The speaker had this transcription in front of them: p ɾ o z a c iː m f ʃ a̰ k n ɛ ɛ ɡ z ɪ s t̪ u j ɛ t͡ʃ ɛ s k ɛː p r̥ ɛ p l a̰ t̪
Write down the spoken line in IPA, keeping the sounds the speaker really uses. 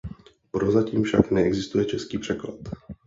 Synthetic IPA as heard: p ɾ o z a c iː m f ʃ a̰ k n ɛ ɛ ɡ z ɪ s t̪ u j ɛ t͡ʃ ɛ s k iː p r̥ ɛ k l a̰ t̪

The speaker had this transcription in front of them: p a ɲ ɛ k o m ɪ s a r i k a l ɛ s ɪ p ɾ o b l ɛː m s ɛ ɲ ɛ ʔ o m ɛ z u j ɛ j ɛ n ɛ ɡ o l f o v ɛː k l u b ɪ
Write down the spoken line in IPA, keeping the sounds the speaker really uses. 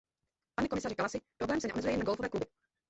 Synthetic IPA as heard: p a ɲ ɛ k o m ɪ s a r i k a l a s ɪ p ɾ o b l ɛː m s ɛ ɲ ɛ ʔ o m ɛ z u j ɛ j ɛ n a ɡ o l f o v ɛː k l u b ɪ

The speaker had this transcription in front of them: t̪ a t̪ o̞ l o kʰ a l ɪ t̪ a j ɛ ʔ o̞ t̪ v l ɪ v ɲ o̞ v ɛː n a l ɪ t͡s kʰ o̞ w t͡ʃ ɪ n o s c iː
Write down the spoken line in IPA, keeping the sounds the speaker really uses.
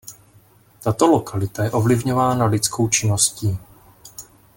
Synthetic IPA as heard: t̪ a t̪ o̞ l o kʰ a l ɪ t̪ a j ɛ ʔ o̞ v l ɪ v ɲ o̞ v aː n a l ɪ t͡s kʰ o̞ w t͡ʃ ɪ n o s c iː

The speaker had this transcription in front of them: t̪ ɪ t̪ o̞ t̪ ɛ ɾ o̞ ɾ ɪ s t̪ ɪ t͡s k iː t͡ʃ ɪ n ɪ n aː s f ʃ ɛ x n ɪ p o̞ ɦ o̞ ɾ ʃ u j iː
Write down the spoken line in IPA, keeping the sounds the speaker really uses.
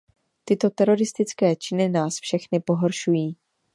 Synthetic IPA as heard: t̪ ɪ t̪ o̞ t̪ ɛ ɾ o̞ ɾ ɪ s t̪ ɪ t͡s k ɛː t͡ʃ ɪ n ɪ n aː s f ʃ ɛ x n ɪ p o̞ ɦ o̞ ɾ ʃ u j iː

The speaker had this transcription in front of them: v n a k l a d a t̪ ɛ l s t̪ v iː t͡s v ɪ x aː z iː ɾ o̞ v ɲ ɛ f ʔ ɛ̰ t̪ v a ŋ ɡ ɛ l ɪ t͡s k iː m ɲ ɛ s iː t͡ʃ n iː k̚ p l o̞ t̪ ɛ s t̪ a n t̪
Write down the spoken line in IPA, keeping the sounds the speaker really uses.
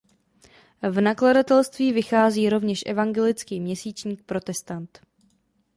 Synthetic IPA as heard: v n a k l a d a t̪ ɛ l s t̪ v iː v ɪ x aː z iː ɾ o̞ v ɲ ɛ ʃ ʔ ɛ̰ v a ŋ ɡ ɛ l ɪ t͡s k iː m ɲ ɛ s iː t͡ʃ ɲ iː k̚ p ɾ o̞ t̪ ɛ s t̪ a n t̪

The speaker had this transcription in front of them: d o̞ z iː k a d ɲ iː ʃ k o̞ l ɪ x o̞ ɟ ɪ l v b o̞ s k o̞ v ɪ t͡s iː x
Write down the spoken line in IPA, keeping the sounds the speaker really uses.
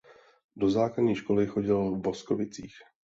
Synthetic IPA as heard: d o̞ z aː k a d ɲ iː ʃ k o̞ l ɪ x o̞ ɟ ɪ l v b o̞ s k o̞ v ɪ t͡s iː x

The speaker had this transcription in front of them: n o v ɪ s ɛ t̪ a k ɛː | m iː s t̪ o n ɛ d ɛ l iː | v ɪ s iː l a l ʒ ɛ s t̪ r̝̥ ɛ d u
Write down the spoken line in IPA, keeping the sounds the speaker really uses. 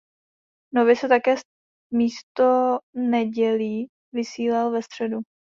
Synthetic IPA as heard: n o v ɪ s ɛ t̪ a k ɛː | m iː s t̪ o n ɛ ɟ ɛ l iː | v ɪ s iː l a l v ɛ s t̪ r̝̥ ɛ d u

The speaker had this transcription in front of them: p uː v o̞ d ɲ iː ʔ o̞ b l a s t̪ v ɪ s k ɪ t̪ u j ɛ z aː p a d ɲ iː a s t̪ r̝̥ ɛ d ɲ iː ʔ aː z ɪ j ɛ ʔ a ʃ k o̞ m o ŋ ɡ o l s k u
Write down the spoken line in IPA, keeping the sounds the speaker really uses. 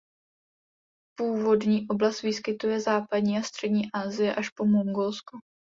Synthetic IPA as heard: p uː v o̞ d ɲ iː ʔ o̞ b l a s t̪ v ɪ s k ɪ t̪ u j ɛ z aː p a d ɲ iː a s t̪ r̝̥ ɛ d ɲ iː ʔ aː z ɪ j ɛ ʔ a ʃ p o̞ m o ŋ ɡ o l s k u

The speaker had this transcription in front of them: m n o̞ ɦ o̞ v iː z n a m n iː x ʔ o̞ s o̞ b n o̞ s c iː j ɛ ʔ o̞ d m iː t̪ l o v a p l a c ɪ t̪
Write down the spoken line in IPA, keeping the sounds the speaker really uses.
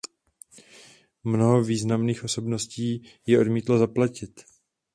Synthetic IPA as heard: m n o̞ ɦ o̞ v iː z n a m n iː x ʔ o̞ s o̞ b n o̞ s c iː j ɛ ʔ o̞ d m iː t̪ l o z a p l a c ɪ t̪

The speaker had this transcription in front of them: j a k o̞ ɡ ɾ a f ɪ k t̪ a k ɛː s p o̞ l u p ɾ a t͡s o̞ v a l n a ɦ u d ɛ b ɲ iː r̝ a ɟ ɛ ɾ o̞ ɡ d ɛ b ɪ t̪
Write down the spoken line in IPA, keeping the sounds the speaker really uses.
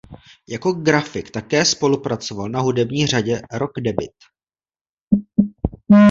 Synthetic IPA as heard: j a k o̞ ɡ ɾ a f ɪ k t̪ a k ɛː s p o̞ l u p ɾ a t͡s o̞ v a l n a ɦ u d ɛ b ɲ iː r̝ a ɟ ɛ ɾ o̞ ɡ d ɛ b ɪ t̪

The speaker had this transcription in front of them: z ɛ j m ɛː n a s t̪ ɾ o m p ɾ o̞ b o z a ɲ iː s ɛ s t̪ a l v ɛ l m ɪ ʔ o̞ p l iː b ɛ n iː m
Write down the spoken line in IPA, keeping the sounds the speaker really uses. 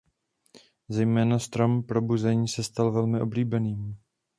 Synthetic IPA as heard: z ɛ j m ɛː n a s t̪ ɾ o m p ɾ o̞ b u z ɛ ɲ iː s ɛ s t̪ a l v ɛ l m ɪ ʔ o̞ b l iː b ɛ n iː m

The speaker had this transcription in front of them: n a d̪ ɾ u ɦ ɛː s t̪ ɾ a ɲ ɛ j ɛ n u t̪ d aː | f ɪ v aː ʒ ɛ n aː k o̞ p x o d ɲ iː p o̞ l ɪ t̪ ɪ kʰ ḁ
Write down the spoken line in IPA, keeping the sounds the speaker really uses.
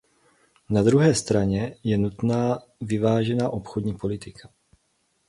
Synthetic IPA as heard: n a d̪ ɾ u ɦ ɛː s t̪ ɾ a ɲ ɛ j ɛ n u t̪ n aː | v ɪ v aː ʒ ɛ n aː ʔ o̞ p x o d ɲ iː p o̞ l ɪ t̪ ɪ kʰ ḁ

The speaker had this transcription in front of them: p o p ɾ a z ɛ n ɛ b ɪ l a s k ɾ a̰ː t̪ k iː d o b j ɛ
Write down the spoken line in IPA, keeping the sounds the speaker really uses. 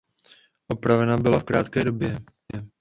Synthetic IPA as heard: ʔ o p ɾ a v ɛ n a b ɪ l a f k ɾ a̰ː t̪ k ɛː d o b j ɛ

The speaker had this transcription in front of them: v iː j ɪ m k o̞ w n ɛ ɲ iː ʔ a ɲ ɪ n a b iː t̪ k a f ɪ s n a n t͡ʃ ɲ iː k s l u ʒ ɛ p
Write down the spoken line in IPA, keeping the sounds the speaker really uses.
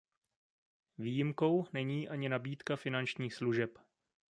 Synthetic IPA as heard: v iː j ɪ m k o̞ w n ɛ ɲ iː ʔ a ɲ ɪ n a b iː t̪ k a f ɪ n a n t͡ʃ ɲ iː x s l u ʒ ɛ p

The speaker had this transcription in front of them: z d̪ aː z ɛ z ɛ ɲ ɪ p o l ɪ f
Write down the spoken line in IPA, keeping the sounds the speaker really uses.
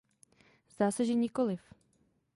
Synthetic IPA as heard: z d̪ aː s ɛ ʒ ɛ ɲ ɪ k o l ɪ f

